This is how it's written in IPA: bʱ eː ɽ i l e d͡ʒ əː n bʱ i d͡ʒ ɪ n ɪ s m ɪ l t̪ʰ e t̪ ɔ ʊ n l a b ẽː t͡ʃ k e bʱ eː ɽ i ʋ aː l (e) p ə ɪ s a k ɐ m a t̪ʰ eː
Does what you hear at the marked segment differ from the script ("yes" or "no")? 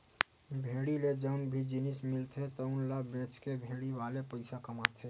no